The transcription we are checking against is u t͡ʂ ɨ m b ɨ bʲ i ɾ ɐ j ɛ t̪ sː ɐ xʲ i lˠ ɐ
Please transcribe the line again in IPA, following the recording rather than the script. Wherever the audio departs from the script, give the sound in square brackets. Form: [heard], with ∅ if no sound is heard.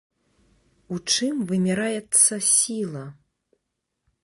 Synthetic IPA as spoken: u t͡ʂ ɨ m [v] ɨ [mʲ] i ɾ [a] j ɛ t̪ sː ɐ [sʲ] i lˠ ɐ